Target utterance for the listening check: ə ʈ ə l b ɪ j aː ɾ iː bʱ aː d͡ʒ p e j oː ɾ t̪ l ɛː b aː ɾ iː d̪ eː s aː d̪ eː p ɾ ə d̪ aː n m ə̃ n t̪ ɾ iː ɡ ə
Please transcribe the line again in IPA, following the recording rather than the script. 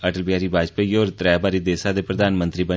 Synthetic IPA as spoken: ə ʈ ə l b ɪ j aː ɾ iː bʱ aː d͡ʒ p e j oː ɾ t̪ ɾ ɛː b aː ɾ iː d̪ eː s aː d̪ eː p ɾ ə d̪ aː n m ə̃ n t̪ ɾ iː b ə